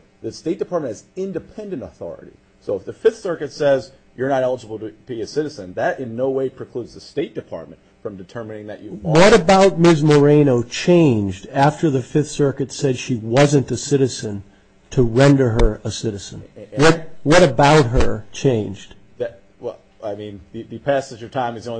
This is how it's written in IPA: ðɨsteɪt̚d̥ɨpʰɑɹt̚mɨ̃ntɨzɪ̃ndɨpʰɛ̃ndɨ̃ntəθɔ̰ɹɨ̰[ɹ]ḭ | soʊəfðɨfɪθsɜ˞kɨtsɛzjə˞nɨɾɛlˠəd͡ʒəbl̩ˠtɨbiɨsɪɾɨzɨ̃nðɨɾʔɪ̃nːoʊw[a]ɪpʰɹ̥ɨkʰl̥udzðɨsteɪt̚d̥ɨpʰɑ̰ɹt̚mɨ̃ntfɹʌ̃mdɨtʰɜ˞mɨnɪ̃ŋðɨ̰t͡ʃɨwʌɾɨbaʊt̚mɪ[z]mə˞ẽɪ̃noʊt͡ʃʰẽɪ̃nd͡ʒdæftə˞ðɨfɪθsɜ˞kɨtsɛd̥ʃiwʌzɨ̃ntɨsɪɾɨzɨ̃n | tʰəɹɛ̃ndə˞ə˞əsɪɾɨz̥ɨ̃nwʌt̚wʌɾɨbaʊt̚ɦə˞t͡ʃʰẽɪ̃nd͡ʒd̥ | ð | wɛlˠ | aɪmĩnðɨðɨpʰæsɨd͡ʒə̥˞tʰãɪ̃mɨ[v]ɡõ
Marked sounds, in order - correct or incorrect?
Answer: incorrect: ɾ, incorrect: e, correct, incorrect: z

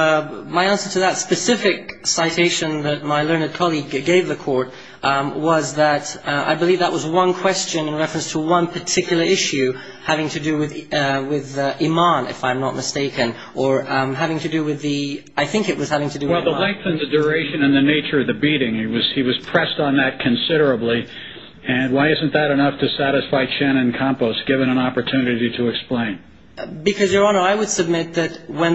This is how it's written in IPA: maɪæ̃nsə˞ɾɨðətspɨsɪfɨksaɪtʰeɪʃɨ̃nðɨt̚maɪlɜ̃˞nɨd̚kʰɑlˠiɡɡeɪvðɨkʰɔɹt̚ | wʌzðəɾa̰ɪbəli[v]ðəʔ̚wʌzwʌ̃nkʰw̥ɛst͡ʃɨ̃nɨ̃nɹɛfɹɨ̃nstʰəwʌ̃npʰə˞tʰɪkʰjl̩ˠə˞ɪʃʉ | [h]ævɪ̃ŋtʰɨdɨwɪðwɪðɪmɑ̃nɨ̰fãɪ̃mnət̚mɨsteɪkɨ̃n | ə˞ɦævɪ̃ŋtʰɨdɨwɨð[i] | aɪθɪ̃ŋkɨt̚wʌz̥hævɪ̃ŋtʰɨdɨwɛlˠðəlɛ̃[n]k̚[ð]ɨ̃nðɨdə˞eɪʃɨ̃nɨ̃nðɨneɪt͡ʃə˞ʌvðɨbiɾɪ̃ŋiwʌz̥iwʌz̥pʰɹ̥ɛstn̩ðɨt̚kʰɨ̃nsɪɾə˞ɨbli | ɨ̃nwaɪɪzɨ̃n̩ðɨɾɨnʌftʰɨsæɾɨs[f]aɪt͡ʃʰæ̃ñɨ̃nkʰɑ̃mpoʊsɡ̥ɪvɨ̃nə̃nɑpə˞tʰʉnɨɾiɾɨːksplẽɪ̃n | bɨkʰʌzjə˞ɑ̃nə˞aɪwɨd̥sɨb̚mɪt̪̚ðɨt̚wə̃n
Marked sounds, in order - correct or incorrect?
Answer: correct, correct, correct, incorrect: ŋ, incorrect: θ, correct

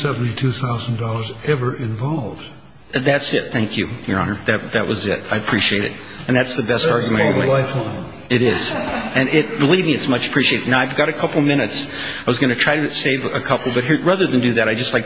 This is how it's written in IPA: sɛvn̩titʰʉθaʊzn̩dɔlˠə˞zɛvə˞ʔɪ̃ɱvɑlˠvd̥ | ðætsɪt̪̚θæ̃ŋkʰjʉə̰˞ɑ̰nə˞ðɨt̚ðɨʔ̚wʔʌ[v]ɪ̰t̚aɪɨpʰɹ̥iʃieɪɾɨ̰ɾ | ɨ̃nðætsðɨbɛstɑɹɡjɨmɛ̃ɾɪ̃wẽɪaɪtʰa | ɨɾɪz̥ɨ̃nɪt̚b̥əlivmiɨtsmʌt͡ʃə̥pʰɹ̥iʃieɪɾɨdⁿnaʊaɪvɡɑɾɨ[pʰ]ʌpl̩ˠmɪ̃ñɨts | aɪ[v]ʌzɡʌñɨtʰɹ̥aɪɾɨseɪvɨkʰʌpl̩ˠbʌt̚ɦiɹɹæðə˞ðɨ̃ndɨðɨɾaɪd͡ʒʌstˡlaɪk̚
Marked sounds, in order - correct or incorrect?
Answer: incorrect: z, incorrect: kʰ, incorrect: w

